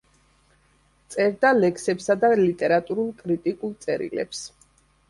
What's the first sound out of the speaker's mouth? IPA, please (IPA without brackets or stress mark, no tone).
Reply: t̪